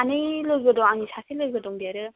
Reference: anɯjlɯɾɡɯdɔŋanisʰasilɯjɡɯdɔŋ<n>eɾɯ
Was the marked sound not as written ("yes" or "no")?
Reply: yes